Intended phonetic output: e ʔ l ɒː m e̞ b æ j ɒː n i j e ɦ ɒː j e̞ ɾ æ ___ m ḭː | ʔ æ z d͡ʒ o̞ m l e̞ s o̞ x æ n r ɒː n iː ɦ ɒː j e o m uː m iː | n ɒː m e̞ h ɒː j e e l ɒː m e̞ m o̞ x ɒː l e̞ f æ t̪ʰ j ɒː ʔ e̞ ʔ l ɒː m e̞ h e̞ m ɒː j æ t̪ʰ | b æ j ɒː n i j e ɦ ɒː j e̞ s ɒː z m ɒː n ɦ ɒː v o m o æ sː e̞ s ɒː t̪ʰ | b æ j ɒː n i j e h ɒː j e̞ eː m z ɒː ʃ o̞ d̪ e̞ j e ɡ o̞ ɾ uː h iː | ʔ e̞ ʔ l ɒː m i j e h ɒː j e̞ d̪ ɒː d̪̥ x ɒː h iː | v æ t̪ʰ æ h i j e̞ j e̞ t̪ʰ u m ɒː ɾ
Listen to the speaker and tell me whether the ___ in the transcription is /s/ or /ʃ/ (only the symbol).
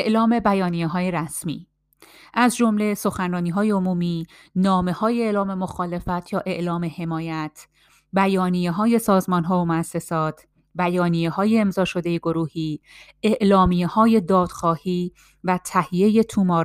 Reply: s